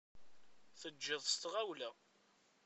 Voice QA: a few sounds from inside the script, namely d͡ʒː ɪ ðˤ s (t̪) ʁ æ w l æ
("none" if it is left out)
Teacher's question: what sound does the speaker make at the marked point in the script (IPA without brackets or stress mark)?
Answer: t̪